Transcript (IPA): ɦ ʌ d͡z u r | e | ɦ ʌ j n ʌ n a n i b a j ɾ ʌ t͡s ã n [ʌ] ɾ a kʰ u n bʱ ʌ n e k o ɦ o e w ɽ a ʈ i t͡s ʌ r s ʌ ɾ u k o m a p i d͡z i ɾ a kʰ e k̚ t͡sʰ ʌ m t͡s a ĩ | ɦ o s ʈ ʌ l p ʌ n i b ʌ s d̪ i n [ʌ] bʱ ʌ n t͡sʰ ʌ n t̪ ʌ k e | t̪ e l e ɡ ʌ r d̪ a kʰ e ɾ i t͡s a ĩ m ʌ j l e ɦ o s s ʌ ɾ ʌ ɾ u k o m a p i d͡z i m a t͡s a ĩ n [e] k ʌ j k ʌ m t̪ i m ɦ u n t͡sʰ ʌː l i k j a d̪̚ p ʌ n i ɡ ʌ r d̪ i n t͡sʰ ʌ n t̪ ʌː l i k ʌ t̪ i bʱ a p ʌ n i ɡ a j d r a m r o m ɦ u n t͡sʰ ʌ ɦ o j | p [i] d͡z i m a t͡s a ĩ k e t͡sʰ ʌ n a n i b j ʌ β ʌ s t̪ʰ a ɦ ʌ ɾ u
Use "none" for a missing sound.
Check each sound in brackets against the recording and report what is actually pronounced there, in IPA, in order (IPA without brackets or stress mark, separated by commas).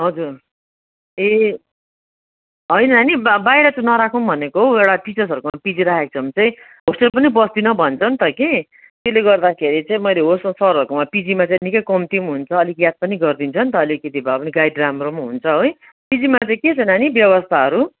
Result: ʌ, ʌ, i, i